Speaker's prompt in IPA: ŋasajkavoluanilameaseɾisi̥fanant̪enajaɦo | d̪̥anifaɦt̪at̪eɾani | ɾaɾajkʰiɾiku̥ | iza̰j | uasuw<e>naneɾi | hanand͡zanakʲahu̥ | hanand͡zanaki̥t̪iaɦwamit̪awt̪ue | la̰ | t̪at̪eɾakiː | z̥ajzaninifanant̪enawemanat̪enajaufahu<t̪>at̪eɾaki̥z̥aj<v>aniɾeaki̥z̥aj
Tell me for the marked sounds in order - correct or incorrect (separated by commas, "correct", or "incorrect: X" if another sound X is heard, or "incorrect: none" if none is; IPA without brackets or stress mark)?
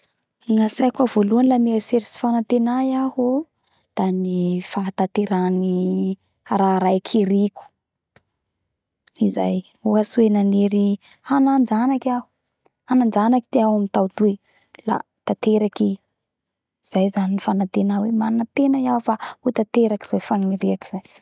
correct, correct, incorrect: f